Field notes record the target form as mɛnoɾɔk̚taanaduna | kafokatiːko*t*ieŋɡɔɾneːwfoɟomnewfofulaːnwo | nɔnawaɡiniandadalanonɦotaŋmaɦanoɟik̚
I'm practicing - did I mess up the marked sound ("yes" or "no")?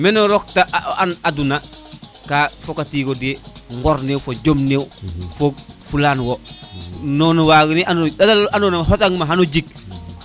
yes